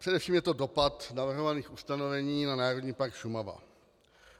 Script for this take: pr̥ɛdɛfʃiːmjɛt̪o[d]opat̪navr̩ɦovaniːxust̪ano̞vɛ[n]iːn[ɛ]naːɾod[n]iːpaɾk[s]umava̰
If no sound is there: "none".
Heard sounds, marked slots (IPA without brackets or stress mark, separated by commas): d, ɲ, a, ɲ, ʃ